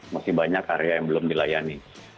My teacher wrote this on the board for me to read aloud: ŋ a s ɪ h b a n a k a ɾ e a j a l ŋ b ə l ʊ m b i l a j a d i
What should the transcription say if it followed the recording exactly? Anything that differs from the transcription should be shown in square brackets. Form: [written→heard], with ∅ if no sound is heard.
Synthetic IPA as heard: [ŋ→m] a s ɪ h b a [n→ɲ] a k a ɾ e a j a [l→∅] ŋ b ə l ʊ m [b→d] i l a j a [d→n] i